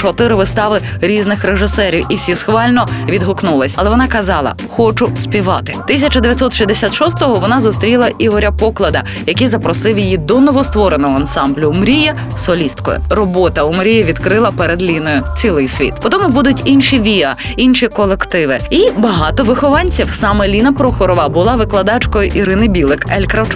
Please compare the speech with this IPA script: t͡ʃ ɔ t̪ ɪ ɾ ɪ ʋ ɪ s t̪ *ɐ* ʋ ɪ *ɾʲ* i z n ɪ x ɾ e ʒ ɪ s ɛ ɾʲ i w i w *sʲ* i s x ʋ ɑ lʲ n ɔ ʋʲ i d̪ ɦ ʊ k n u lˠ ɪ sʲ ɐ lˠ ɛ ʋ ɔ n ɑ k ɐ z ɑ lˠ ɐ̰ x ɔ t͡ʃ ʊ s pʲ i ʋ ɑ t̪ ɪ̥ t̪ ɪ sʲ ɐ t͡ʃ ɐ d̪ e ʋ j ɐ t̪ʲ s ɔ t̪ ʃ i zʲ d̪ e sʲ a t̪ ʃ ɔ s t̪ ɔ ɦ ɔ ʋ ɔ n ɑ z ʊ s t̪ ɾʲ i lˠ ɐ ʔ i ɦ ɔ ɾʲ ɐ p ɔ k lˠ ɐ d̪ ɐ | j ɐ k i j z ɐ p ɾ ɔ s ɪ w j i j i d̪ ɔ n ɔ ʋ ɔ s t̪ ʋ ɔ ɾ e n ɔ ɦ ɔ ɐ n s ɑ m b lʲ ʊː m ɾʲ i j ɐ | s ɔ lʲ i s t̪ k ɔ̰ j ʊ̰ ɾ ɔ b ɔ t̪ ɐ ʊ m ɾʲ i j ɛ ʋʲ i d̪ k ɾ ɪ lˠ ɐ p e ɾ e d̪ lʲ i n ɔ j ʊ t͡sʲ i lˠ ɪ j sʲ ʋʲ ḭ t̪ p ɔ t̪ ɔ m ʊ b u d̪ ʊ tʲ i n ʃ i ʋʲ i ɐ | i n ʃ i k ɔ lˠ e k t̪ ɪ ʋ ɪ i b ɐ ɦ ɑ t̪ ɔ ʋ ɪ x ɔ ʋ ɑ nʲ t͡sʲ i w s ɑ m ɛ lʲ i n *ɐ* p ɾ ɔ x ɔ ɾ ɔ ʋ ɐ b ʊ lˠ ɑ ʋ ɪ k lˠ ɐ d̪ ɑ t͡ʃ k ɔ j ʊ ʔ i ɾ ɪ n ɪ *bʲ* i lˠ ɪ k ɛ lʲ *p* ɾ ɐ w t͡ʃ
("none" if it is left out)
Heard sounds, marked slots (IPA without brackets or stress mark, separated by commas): ɑ, ɾʲ, sʲ, ɐ, bʲ, k